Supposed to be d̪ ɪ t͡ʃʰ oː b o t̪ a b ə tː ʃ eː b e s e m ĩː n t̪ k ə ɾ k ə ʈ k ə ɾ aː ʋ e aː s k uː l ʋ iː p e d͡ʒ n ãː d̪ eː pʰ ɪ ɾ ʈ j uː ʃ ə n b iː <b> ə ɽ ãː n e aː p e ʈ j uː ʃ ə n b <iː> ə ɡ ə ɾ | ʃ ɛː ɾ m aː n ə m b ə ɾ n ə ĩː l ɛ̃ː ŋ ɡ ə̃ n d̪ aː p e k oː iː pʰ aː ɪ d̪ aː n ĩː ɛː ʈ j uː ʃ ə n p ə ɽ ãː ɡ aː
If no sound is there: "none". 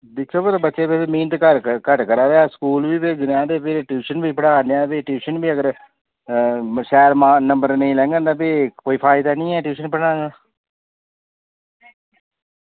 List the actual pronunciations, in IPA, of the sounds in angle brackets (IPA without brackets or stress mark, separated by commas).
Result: p, iː